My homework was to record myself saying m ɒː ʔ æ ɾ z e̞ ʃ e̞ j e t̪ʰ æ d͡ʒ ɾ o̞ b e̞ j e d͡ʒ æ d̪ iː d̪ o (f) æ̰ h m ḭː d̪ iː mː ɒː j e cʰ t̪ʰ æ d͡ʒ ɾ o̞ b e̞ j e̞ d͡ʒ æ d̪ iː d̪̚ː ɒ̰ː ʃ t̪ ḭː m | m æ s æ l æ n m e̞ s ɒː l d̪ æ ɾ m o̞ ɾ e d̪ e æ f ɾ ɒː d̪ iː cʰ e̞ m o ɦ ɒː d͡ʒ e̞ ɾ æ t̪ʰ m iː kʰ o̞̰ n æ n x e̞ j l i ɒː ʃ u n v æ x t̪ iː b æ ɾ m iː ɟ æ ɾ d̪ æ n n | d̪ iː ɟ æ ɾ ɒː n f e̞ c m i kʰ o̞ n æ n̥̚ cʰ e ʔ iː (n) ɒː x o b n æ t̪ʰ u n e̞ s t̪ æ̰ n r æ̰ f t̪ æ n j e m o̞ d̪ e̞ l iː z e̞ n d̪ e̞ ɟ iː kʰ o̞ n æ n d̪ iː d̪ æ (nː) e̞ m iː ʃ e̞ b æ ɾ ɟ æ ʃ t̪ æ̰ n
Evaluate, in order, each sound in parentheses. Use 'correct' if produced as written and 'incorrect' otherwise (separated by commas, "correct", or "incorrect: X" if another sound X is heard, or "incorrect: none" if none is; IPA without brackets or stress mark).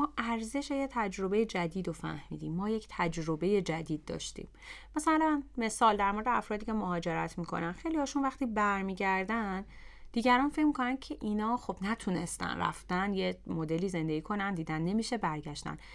correct, correct, correct